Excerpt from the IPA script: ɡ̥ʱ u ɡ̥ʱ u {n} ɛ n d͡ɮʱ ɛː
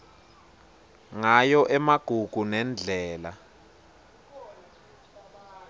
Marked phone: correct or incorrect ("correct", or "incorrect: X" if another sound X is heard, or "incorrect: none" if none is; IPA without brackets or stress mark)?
correct